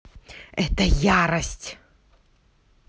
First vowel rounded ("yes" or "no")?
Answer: no